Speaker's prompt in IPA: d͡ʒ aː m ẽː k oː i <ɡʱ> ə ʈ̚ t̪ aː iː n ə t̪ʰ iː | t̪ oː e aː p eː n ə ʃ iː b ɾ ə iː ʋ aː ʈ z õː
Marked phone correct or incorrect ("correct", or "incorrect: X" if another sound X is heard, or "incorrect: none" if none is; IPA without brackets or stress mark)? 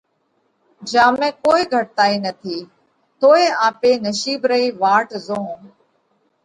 correct